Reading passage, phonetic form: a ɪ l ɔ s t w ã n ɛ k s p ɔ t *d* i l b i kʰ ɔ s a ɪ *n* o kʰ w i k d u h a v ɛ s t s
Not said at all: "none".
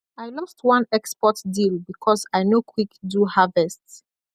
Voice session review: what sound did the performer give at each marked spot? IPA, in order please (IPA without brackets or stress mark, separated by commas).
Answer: d, n